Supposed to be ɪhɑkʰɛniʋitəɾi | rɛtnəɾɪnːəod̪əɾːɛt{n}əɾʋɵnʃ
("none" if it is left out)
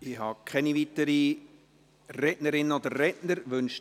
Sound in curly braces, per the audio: n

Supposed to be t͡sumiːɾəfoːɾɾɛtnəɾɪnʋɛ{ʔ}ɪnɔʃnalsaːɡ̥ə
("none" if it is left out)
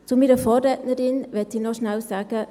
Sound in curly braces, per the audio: t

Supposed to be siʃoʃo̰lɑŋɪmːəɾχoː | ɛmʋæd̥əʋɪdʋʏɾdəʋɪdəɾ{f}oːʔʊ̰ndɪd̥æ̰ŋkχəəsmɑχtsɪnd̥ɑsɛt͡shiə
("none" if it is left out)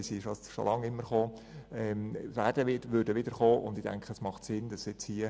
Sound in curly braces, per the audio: χ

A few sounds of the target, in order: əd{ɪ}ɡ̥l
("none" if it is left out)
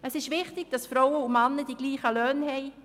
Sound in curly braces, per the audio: i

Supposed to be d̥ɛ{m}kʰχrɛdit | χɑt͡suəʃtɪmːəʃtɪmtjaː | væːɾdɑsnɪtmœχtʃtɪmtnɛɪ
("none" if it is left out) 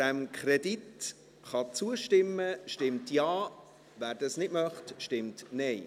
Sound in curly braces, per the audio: m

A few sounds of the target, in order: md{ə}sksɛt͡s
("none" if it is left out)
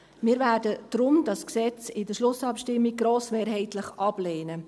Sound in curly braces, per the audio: ɑ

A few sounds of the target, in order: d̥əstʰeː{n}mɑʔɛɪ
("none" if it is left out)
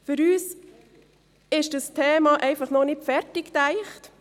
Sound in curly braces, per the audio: none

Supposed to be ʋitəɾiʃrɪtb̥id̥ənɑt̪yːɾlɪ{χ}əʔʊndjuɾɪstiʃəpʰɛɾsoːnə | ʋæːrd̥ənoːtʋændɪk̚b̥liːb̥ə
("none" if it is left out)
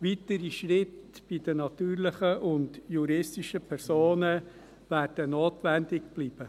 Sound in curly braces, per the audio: χ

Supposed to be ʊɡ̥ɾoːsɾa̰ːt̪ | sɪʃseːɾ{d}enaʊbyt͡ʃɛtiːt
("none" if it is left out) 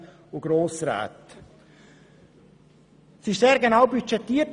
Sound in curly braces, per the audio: ɡ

